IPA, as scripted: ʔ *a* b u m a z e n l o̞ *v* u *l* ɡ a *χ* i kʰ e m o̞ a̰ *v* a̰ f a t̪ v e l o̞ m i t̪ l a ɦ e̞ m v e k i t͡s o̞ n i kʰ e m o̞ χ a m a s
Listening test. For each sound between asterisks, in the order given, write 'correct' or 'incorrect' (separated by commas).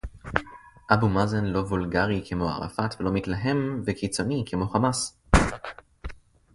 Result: correct, correct, correct, incorrect, incorrect